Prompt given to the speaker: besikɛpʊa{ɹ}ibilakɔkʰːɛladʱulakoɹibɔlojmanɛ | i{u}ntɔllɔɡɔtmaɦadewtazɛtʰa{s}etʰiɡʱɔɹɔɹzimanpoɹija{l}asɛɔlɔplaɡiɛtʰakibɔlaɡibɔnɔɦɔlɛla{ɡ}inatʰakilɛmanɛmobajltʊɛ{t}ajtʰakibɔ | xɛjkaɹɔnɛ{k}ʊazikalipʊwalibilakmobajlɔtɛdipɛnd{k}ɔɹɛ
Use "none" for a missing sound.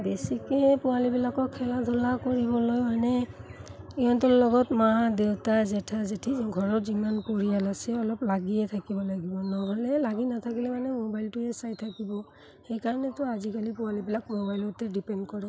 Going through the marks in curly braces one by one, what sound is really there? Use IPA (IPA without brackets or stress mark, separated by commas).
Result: l, ɔ, z, l, ɡ, s, t, k